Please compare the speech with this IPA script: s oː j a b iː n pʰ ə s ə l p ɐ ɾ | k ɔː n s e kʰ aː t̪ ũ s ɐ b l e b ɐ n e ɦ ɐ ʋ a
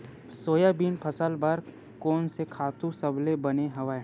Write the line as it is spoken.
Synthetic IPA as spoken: s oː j a b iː n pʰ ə s ə l b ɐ ɾ | k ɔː n s e kʰ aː t̪ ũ s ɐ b l e b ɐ n e ɦ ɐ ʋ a